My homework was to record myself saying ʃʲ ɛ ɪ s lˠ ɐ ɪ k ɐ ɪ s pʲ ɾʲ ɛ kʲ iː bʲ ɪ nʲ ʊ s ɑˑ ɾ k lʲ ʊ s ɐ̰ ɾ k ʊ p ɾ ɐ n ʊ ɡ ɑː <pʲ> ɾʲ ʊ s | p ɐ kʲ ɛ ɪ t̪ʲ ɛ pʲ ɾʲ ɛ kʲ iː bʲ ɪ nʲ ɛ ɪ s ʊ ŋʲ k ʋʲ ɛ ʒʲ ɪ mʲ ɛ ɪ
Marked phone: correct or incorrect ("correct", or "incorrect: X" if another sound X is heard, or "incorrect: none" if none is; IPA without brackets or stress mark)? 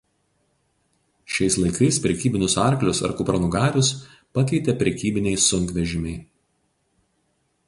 incorrect: none